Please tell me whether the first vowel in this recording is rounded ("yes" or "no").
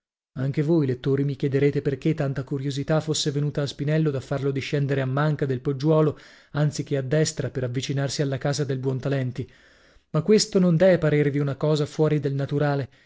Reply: no